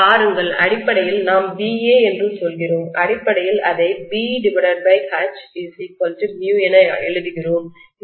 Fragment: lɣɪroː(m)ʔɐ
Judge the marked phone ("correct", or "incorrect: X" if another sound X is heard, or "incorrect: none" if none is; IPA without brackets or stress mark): correct